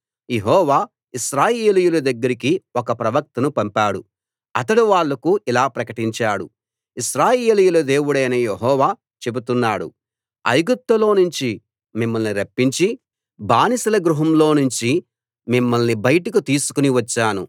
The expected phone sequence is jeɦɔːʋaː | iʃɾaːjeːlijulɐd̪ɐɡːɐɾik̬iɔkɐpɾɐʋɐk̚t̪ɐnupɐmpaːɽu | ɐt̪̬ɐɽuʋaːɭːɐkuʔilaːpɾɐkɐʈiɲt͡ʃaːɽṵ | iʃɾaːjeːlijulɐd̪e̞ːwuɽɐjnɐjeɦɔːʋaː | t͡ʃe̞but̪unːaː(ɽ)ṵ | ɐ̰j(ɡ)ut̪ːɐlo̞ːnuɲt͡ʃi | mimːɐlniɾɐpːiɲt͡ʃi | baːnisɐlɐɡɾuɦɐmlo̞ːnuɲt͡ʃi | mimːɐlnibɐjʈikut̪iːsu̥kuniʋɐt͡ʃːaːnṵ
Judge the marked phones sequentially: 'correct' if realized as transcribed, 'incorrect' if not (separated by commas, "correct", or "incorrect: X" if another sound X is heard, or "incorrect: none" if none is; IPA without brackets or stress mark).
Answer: correct, correct